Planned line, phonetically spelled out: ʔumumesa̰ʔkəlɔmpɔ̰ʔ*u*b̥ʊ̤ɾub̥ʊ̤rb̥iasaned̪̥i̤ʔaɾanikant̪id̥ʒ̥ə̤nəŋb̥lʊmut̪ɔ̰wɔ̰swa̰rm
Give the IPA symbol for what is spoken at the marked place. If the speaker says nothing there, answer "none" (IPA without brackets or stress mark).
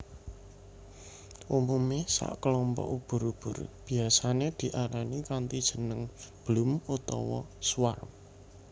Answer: u